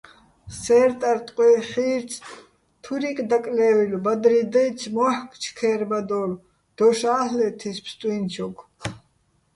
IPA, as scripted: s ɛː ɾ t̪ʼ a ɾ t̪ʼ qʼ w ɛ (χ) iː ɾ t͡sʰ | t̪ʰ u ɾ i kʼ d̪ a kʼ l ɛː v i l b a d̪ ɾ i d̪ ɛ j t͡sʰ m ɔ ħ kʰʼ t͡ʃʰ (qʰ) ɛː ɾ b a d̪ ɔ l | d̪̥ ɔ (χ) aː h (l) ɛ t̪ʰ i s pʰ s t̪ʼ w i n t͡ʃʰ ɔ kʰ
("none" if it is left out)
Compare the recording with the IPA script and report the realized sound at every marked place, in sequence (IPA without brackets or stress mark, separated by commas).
χ, kʰ, ʃ, l